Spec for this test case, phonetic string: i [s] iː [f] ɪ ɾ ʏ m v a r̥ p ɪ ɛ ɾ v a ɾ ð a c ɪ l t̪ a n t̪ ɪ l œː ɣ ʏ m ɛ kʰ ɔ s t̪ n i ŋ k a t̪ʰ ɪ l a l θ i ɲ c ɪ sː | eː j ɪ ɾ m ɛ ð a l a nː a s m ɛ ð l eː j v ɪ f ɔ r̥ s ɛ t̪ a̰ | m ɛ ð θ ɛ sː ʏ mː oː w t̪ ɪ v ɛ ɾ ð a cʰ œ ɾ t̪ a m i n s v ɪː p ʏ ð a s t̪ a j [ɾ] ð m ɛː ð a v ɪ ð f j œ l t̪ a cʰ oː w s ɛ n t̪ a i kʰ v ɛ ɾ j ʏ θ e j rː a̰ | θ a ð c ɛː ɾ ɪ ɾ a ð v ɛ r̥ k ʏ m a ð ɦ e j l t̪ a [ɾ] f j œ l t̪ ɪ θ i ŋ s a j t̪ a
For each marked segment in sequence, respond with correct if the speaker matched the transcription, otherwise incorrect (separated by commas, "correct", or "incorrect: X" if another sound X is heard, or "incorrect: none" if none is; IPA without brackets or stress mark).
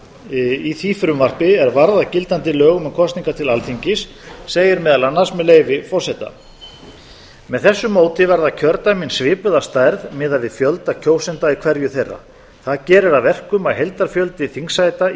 incorrect: θ, correct, correct, correct